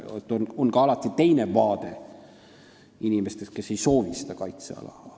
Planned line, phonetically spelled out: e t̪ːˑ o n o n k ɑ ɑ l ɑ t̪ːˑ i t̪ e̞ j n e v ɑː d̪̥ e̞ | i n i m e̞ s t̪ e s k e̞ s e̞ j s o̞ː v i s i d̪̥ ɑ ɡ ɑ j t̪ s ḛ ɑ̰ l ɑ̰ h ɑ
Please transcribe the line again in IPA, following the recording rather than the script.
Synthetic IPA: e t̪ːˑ o n o n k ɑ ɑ l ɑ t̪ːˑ i t̪ e̞ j n e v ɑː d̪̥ e̞ | i n i m e̞ s t̪ e s k e̞ s e̞ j s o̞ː v i s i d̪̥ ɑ k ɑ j t̪ s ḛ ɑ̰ l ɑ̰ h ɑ